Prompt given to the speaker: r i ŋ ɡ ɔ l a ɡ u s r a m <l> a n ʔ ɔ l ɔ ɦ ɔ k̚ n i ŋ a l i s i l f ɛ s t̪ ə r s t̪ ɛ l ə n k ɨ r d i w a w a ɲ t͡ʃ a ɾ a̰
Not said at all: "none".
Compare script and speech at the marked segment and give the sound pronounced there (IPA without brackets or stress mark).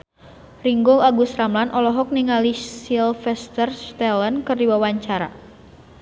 l